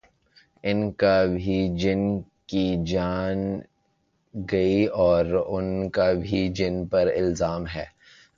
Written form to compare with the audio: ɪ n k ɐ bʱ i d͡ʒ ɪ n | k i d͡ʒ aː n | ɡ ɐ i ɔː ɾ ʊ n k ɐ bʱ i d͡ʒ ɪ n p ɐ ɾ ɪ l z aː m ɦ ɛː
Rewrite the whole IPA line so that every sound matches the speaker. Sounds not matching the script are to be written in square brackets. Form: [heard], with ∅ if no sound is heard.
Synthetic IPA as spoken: ɪ n k [a] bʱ i d͡ʒ ɪ n | k i d͡ʒ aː n | ɡ ɐ i ɔː ɾ ʊ n k [a] bʱ i d͡ʒ ɪ n p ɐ ɾ ɪ l z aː m ɦ ɛː